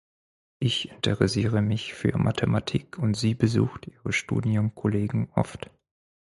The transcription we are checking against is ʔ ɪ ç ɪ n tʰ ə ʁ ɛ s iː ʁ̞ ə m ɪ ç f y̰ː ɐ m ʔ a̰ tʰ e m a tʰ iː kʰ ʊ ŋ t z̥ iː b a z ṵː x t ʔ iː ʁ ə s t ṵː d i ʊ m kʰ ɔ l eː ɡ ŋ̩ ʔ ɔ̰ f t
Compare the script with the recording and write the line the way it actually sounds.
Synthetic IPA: ʔ ɪ ç ɪ n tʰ ə ʁ ɛ s iː ʁ̞ ə m ɪ ç f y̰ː ɐ m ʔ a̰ tʰ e m a tʰ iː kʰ ʊ n t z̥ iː b ə z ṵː x t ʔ iː ʁ ə ʃ t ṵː d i ʊ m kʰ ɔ l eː ɡ ŋ̩ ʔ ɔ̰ f t